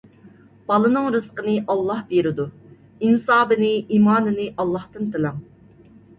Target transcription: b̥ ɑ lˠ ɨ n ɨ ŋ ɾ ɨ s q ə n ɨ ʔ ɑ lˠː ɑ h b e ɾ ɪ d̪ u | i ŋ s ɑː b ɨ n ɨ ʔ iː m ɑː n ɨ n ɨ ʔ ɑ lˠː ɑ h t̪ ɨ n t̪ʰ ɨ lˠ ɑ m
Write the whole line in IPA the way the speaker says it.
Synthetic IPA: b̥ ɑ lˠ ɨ n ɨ ŋ ɾ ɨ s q ə n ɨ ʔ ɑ lˠː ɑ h b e ɾ ɪ d̪ u | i n s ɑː b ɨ n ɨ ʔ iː m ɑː n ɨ n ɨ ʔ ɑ lˠː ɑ h t̪ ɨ n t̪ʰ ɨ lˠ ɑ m